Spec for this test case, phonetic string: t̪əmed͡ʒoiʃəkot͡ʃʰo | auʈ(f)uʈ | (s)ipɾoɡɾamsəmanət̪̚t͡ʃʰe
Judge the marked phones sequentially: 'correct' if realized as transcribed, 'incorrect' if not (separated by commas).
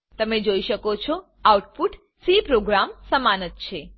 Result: correct, correct